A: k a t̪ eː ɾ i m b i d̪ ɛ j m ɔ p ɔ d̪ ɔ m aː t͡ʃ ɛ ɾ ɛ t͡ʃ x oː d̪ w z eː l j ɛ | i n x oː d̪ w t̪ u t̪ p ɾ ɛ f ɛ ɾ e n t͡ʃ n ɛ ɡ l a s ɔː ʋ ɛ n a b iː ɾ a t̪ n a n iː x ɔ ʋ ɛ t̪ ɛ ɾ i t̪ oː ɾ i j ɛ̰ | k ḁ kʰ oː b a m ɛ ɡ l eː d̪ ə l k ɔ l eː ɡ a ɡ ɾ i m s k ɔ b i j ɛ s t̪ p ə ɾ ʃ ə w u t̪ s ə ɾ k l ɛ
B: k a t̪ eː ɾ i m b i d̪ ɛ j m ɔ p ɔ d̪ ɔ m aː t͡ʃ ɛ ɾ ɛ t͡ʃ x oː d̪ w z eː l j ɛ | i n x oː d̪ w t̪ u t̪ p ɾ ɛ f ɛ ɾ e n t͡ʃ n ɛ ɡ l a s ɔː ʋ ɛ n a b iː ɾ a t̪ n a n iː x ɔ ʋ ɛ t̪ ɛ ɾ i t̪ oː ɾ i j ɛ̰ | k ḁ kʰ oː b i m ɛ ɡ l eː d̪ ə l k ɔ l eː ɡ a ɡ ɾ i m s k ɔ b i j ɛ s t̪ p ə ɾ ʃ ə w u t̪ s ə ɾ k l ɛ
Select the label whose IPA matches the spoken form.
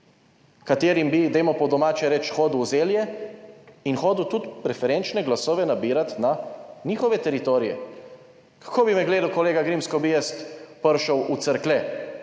B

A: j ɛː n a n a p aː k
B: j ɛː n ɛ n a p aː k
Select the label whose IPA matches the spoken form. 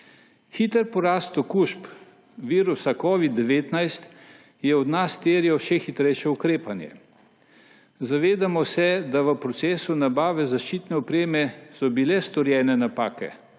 B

